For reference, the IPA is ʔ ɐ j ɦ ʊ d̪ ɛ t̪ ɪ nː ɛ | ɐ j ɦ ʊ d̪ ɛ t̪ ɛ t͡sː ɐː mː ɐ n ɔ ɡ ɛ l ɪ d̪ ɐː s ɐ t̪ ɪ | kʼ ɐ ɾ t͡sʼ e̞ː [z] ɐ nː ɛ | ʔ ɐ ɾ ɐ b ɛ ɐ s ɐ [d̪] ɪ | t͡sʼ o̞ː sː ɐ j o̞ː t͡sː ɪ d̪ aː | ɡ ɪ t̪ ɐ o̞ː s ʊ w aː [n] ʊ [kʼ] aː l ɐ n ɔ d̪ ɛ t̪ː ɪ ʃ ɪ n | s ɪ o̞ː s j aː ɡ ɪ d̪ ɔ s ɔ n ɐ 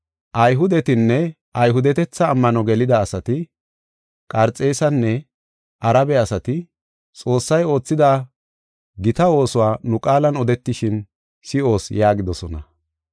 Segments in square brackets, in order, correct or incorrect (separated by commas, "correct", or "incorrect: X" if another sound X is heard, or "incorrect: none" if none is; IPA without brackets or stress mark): incorrect: s, incorrect: t̪, correct, correct